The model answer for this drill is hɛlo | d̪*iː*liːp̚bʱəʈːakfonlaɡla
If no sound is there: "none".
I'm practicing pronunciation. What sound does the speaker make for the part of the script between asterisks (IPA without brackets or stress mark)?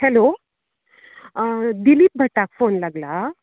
i